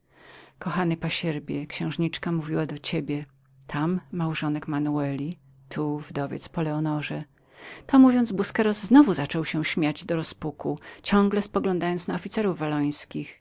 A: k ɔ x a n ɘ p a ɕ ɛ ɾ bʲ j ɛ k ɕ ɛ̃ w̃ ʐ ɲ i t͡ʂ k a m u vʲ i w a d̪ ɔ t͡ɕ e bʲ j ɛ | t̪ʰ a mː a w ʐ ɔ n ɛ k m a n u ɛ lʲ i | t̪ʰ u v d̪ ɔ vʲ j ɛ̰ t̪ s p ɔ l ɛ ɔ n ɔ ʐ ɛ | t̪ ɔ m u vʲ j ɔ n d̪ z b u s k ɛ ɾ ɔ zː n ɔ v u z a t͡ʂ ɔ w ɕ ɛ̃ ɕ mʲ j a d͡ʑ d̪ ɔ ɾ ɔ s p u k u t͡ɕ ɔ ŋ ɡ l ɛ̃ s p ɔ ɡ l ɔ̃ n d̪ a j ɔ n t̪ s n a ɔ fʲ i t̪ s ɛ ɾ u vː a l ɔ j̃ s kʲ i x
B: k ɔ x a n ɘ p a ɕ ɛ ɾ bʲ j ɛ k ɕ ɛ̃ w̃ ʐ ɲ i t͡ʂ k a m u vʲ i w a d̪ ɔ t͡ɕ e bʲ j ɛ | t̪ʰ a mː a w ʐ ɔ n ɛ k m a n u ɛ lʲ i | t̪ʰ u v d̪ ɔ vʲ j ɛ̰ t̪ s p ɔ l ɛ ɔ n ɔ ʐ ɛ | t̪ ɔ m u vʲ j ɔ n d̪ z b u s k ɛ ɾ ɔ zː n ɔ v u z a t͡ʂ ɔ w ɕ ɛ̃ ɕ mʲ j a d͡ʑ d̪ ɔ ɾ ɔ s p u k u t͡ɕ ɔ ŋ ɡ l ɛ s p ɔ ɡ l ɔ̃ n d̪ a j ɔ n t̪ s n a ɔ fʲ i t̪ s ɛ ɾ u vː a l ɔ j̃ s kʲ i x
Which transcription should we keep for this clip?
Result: B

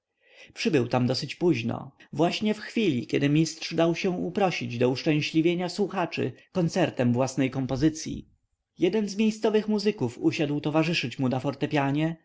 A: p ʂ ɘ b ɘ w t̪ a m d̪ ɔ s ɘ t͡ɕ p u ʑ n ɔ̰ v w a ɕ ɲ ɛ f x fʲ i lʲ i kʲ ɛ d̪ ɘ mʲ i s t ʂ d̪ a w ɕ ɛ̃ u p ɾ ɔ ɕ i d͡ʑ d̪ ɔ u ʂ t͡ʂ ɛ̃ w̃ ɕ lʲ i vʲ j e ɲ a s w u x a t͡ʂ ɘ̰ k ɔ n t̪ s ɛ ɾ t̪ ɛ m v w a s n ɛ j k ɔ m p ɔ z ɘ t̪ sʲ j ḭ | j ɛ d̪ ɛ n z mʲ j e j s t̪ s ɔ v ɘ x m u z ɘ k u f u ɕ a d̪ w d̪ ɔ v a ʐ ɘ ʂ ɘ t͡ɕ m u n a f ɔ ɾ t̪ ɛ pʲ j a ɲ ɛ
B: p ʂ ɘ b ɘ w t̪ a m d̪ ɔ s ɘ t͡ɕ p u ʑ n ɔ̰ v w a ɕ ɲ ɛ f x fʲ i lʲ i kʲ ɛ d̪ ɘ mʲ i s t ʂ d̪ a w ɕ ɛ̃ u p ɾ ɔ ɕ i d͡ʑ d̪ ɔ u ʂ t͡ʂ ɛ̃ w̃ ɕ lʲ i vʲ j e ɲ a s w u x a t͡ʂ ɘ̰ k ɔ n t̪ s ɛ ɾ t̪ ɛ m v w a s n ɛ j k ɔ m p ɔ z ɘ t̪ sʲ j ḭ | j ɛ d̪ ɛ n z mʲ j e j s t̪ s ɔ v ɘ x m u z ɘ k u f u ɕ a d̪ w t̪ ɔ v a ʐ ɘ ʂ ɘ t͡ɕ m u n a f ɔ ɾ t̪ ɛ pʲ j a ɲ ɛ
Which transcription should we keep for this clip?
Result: B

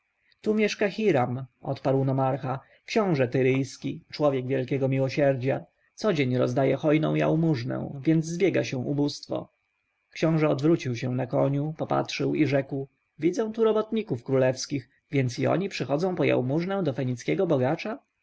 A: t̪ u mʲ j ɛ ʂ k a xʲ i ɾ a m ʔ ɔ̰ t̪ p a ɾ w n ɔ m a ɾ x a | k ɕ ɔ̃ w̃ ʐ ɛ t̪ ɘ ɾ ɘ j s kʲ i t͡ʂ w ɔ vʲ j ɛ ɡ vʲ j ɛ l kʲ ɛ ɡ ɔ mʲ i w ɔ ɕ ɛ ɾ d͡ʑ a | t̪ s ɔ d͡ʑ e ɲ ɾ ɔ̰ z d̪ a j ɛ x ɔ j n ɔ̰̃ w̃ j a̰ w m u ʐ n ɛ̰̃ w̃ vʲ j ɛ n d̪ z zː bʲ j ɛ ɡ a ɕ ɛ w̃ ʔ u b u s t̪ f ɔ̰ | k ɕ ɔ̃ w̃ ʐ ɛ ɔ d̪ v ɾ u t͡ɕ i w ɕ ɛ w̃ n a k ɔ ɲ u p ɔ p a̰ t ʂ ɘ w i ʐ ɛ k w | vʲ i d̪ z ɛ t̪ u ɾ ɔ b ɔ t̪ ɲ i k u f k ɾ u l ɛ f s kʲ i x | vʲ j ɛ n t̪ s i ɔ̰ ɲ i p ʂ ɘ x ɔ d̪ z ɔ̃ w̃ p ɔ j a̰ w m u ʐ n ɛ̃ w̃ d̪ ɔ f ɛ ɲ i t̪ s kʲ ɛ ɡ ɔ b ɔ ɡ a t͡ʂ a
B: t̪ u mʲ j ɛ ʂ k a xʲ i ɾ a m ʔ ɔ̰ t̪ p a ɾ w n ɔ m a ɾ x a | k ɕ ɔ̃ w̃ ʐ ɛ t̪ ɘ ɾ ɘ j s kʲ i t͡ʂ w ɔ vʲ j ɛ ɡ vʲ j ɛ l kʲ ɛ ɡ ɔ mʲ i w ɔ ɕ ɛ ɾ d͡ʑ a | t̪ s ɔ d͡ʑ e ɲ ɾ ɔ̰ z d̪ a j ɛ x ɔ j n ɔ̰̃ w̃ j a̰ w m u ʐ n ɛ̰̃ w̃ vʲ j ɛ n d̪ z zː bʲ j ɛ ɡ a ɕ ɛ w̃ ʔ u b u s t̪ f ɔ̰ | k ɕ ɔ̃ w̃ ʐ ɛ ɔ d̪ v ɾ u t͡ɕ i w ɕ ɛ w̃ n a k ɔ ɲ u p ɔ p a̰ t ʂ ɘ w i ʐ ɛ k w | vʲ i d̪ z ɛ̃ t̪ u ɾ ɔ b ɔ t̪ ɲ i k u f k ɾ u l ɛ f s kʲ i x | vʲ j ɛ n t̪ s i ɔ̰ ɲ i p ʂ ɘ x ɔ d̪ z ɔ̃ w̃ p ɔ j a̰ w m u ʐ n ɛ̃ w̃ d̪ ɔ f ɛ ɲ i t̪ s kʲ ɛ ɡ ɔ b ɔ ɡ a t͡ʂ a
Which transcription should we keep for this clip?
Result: B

